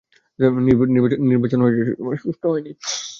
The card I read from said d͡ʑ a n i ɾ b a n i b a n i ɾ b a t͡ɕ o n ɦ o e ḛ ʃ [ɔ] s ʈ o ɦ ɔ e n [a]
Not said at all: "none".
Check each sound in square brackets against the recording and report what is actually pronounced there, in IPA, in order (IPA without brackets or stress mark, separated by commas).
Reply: u, i